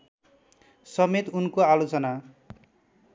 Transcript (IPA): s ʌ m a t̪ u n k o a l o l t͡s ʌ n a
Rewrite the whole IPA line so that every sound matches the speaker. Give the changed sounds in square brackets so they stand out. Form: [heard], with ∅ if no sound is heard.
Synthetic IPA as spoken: s ʌ m [e] t̪ u n k o a l o [∅] t͡s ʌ n a

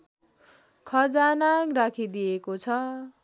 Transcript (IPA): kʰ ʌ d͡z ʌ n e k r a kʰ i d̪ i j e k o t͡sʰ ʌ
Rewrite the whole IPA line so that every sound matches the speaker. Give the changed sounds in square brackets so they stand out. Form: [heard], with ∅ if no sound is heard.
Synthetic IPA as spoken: kʰ ʌ d͡z [a] n [a] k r a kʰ i d̪ i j e k o t͡sʰ ʌ

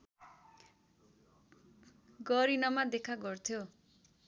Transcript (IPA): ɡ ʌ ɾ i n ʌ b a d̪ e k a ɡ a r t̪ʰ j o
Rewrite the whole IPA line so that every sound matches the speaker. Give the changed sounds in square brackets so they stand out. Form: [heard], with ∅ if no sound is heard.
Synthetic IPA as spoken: ɡ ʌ ɾ i n ʌ [m] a d̪ e [kʰ] a ɡ [ʌ] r t̪ʰ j o

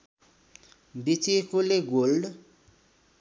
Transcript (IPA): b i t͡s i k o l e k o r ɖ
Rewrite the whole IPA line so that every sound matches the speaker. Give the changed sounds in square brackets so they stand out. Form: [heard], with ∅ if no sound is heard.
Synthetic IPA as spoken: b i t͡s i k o l e [ɡ] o [l] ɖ

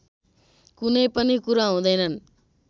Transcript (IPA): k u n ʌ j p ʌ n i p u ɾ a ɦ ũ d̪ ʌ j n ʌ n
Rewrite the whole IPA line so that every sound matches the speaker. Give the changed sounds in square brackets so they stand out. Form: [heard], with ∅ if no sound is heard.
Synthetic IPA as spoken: k u n ʌ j p ʌ n i [k] u ɾ a ɦ ũ d̪ ʌ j n ʌ n

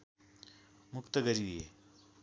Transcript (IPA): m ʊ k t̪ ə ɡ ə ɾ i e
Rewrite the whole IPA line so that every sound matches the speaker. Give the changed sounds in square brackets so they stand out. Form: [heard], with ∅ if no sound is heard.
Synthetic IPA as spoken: m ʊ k t̪ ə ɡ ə ɾ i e

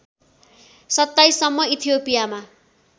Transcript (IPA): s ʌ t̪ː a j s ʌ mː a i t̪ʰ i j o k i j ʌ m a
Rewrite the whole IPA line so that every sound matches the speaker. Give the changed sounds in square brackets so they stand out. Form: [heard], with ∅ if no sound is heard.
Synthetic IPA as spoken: s ʌ t̪ː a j s ʌ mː [ʌ] i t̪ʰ i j o [p] i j [a] m a

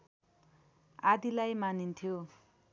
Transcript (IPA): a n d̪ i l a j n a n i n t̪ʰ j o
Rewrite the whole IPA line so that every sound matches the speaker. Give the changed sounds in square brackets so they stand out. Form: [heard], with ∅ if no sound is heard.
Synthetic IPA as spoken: a [∅] d̪ i l a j [m] a n i n t̪ʰ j o

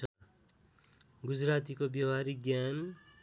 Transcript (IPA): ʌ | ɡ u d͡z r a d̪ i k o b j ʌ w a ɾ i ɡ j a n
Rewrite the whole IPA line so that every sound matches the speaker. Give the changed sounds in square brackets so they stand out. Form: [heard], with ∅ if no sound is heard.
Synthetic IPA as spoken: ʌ | ɡ u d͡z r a [t̪] i k o b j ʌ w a ɾ i ɡ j a n

